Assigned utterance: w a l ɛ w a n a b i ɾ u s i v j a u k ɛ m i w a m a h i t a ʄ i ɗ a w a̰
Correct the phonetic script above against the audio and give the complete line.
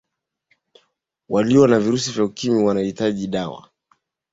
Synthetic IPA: w a l i w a n a v i ɾ u s i v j a u k i m i w a n a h i t a ʄ i ɗ a w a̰